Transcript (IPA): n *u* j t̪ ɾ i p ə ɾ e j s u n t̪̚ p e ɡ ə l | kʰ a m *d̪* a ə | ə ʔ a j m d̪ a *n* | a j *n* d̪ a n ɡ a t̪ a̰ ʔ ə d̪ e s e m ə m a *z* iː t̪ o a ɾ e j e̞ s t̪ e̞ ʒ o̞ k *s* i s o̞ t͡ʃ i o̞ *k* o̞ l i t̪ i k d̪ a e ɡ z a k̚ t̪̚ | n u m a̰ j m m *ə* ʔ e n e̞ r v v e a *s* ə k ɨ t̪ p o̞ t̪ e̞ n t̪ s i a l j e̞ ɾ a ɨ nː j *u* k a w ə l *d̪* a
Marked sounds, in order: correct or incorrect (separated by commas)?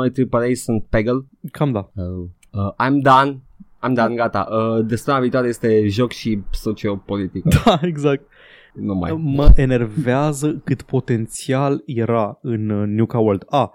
incorrect, correct, correct, incorrect, incorrect, incorrect, incorrect, correct, incorrect, correct, correct